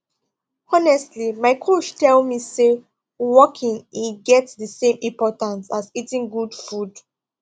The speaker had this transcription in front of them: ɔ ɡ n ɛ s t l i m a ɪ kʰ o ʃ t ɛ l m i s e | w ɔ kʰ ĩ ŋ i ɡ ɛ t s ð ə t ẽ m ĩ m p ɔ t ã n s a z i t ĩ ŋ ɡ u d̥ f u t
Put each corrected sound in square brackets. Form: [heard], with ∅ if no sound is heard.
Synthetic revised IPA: ɔ [∅] n ɛ s t l i m a ɪ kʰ o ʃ t ɛ l m i s e | w ɔ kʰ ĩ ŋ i ɡ ɛ t s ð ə [s] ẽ m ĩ m p ɔ t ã n s a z i t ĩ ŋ ɡ u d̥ f u [d]